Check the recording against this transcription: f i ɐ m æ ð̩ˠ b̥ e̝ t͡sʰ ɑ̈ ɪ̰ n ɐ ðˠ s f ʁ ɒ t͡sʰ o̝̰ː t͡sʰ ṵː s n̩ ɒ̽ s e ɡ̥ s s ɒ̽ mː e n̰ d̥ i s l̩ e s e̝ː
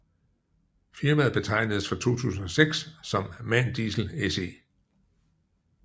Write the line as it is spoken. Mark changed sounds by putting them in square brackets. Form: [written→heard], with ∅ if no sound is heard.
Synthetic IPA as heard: f i ɐ m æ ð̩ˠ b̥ e̝ t͡sʰ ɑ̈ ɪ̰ n [ɐ→ə] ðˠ s f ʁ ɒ t͡sʰ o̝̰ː t͡sʰ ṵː s n̩ ɒ̽ s e ɡ̥ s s ɒ̽ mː [e→æ] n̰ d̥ i s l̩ e s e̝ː